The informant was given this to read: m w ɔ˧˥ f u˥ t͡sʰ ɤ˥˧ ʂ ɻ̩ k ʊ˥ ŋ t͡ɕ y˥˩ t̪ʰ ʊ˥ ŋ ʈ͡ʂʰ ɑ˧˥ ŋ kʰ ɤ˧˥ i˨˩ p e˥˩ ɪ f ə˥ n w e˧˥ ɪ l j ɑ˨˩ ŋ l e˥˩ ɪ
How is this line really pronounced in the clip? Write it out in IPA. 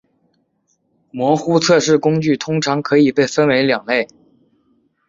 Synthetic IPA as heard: m w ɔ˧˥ x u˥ t͡sʰ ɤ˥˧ ʂ ɻ̩ k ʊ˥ ŋ t͡ɕ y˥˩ t̪ʰ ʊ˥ ŋ ʈ͡ʂʰ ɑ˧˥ ŋ kʰ ɤ˧˥ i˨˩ p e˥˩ ɪ f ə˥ n w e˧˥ ɪ l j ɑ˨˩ ŋ l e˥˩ ɪ